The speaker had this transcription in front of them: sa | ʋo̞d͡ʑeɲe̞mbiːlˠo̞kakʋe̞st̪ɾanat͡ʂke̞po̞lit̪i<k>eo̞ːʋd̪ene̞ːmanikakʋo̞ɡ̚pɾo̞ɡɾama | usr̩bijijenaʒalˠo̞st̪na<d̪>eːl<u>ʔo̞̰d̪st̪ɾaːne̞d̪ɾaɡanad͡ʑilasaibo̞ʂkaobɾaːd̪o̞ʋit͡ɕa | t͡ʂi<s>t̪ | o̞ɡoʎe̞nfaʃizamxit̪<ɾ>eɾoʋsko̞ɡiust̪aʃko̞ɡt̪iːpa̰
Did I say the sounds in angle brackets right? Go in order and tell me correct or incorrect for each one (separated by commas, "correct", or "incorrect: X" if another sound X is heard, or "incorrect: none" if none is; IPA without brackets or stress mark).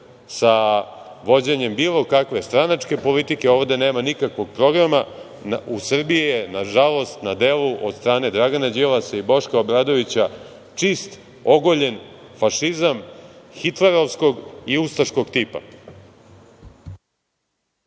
correct, correct, correct, correct, incorrect: l